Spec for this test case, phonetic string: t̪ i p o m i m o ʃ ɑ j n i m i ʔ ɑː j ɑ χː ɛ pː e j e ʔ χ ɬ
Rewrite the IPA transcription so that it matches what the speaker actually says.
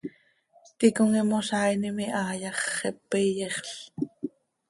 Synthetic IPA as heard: t̪ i k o ŋ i m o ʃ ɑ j n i m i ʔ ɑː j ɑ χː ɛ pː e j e χ ɬ